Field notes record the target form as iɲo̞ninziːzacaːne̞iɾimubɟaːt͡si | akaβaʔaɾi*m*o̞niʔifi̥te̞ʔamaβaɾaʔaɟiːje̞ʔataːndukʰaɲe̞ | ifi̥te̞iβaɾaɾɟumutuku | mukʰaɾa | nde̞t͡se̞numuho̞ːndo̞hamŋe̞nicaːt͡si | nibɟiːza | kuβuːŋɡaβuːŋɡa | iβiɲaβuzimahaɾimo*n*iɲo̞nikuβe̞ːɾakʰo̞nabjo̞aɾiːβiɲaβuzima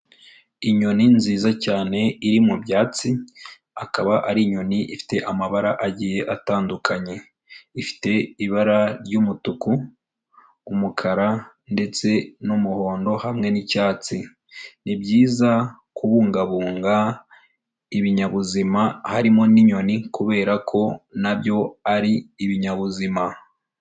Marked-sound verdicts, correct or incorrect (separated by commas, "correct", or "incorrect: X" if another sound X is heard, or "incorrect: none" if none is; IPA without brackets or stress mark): incorrect: ɲ, correct